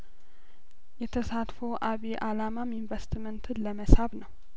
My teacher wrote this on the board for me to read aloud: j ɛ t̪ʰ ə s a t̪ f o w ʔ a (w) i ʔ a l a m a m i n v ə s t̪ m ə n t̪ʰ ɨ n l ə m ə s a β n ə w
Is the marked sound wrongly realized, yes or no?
yes